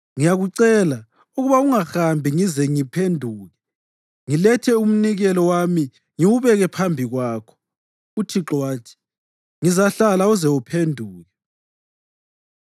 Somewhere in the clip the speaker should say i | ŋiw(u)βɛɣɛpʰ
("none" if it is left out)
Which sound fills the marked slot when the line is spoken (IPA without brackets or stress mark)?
u